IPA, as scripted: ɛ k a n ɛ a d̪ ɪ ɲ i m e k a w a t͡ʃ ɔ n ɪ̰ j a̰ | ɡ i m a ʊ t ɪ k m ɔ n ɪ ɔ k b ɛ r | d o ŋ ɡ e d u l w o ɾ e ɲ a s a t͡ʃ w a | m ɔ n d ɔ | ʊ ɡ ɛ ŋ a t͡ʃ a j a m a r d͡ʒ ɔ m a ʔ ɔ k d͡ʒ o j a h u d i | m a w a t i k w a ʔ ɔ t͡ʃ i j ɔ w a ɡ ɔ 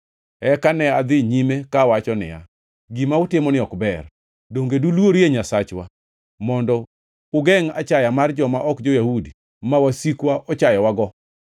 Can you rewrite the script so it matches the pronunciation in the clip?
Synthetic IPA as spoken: ɛ k a n ɛ a d̪ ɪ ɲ i m e k a w a t͡ʃ ɔ n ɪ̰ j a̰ | ɡ i m a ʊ t ɪ m ɔ n ɪ ɔ k b ɛ r | d o ŋ ɡ e d u l w o ɾ e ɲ a s a t͡ʃ w a | m ɔ n d ɔ | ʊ ɡ ɛ ŋ a t͡ʃ a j a m a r d͡ʒ ɔ m a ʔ ɔ k d͡ʒ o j a h u d i | m a w a s i k w a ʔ ɔ t͡ʃ a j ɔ w a ɡ ɔ

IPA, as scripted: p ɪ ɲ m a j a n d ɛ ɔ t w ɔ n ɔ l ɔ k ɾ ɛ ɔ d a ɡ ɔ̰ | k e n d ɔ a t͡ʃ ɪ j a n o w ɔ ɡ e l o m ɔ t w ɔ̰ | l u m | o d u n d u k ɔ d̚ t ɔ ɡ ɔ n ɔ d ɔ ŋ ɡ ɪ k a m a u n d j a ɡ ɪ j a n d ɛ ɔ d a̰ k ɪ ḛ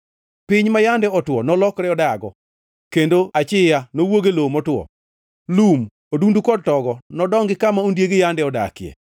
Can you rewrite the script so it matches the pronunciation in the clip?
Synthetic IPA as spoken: p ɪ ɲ m a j a n d ɛ ɔ t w ɔ n ɔ l ɔ k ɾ ɛ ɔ d a ɡ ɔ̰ | k e n d o a t͡ʃ ɪ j a n o w o ɡ e l o m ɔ t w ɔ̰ | l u m | o d u n d u k ɔ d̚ t ɔ ɡ ɔ n ɔ d ɔ ŋ ɡ ɪ k a m a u n d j e ɡ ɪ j a n d ɛ ɔ d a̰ k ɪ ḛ

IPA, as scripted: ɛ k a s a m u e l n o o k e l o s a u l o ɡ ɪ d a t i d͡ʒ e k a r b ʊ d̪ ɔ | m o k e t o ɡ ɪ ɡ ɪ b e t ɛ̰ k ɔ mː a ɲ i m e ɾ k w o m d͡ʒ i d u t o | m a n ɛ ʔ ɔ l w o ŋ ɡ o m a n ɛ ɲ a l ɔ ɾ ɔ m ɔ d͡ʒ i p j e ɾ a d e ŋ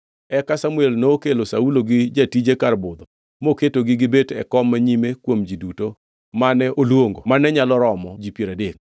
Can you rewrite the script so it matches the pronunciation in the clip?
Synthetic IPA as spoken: ɛ k a s a m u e l n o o k e l o s a u l o ɡ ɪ d͡ʒ a t i d͡ʒ e k a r b ʊ d̪ ɔ | m o k e t o ɡ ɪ ɡ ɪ b e t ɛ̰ k ɔ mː a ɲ i m e k w o m d͡ʒ i d u t o | m a n ɛ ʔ o l w o ŋ ɡ o m a n ɛ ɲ a l ɔ ɾ ɔ m ɔ d͡ʒ i p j e ɾ a d e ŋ

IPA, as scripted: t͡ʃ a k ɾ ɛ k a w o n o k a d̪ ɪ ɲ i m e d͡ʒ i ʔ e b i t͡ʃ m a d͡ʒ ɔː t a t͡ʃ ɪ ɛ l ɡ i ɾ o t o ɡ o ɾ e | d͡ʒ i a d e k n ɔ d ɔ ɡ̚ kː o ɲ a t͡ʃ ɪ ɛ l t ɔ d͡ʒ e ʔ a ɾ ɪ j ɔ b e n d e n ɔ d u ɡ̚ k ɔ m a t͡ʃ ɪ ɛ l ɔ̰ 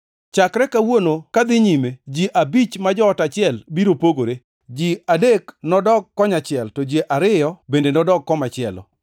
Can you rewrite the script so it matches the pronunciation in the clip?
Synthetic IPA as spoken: t͡ʃ a k ɾ ɛ k a w o n o k a d̪ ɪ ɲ i m e d͡ʒ i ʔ a b i t͡ʃ m a d͡ʒ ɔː t a t͡ʃ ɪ ɛ l b i ɾ o p o ɡ o ɾ e | d͡ʒ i a d e k n ɔ d ɔ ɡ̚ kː ɔ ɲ a t͡ʃ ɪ ɛ l t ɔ d͡ʒ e ʔ a ɾ ɪ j ɔ b e n d e n ɔ d ɔ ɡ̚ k ɔ m a t͡ʃ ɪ ɛ l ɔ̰

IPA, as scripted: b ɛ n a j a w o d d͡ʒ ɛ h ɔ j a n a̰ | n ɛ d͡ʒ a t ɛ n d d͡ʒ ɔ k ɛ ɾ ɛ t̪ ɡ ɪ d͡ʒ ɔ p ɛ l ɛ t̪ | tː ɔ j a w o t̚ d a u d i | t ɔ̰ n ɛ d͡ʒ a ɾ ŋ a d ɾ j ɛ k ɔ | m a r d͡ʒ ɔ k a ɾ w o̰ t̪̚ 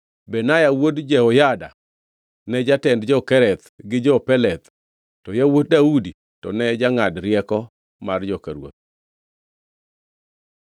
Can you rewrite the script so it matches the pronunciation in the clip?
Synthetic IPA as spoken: b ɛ n a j a w o d d͡ʒ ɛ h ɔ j a d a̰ | n ɛ d͡ʒ a t ɛ n d d͡ʒ ɔ k ɛ ɾ ɛ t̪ ɡ ɪ d͡ʒ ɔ p ɛ l ɛ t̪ | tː ɔ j a w o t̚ d a u d i | t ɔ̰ n ɛ d͡ʒ a ŋ a d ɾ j ɛ k ɔ | m a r d͡ʒ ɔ k a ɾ w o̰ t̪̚

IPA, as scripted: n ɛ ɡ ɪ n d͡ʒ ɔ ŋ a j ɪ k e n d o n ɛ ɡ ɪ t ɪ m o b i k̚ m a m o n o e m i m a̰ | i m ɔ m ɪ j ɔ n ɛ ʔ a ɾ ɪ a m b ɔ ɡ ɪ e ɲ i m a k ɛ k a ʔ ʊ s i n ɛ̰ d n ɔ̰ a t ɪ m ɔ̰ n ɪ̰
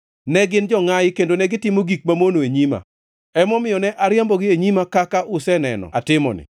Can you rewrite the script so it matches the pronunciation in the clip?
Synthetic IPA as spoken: n ɛ ɡ ɪ n d͡ʒ ɔ ŋ a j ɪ k e n d o n ɛ ɡ ɪ t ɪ m o ɡ i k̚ m a m o n o e ɲ i m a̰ | ɛ m ɔ m ɪ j ɔ n ɛ ʔ a ɾ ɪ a m b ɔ ɡ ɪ e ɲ i m a k a k a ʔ ʊ s ɛ n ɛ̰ n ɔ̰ a t ɪ m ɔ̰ n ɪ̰

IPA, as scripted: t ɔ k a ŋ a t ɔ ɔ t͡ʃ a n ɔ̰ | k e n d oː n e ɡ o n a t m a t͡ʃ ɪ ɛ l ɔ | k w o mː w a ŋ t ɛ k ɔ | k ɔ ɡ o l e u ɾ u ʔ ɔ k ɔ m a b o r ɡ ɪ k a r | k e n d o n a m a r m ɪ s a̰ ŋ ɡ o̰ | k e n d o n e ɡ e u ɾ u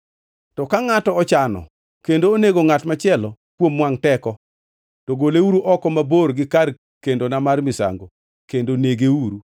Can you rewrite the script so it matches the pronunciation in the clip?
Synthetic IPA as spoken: t ɔ k a ŋ a t ɔ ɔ t͡ʃ a n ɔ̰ | k e n d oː n e ɡ o ŋ a t m a t͡ʃ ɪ ɛ l ɔ | k w o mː w a ŋ t ɛ k ɔ | t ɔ ɡ o l e u ɾ u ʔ ɔ k ɔ m a b o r ɡ ɪ k a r | k e n d o n a m a r m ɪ s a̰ ŋ ɡ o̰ | k e n d o n e ɡ e u ɾ u

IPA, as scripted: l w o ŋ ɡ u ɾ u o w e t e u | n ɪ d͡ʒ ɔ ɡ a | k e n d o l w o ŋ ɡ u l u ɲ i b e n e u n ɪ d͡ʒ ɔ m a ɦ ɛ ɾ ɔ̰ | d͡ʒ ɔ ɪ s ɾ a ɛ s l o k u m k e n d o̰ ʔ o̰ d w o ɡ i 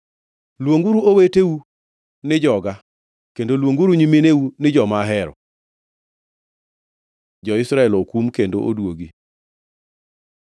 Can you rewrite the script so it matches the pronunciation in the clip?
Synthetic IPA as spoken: l w o ŋ ɡ u ɾ u o w e t e u | n ɪ d͡ʒ ɔ ɡ a | k e n d o l w o ŋ ɡ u ɾ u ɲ i m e n e u n ɪ d͡ʒ ɔ m a ɦ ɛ ɾ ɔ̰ | d͡ʒ ɔ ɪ s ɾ a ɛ l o k u m k e n d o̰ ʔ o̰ d w o ɡ i

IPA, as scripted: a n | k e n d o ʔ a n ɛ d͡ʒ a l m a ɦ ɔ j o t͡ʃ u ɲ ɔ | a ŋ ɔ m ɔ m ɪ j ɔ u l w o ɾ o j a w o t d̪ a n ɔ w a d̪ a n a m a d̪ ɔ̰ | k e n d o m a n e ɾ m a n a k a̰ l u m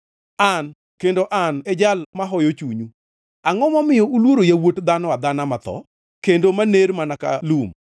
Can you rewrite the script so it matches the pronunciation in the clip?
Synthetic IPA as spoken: a n | k e n d o ʔ a n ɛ d͡ʒ a l m a ɦ ɔ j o t͡ʃ u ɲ u | a ŋ ɔ m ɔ m ɪ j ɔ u l w o ɾ o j a w o t d̪ a n ɔ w a d̪ a n a m a t̪ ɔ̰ | k e n d o m a n e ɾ m a n a k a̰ l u m

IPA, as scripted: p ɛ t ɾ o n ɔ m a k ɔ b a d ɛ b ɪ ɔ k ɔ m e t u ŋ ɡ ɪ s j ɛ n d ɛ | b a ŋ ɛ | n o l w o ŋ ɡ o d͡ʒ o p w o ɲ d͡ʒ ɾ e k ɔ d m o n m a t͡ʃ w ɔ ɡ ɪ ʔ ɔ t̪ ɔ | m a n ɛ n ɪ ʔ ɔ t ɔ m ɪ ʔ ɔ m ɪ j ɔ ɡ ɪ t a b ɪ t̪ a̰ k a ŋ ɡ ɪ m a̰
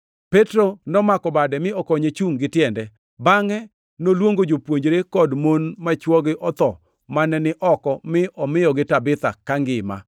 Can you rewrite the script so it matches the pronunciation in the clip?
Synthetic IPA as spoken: p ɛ t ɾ o n ɔ m a k ɔ b a d ɛ m ɪ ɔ k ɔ ɲ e t͡ʃ u ŋ ɡ ɪ t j ɛ n d ɛ | b a ŋ ɛ | n o l w o ŋ ɡ o d͡ʒ o p w o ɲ d͡ʒ ɾ e k ɔ d m o n m a t͡ʃ w ɔ ɡ ɪ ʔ ɔ t̪ ɔ | m a n ɛ n ɪ ʔ ɔ k ɔ m ɪ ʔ ɔ m ɪ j ɔ ɡ ɪ t a b ɪ t̪ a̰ k a ŋ ɡ ɪ m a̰

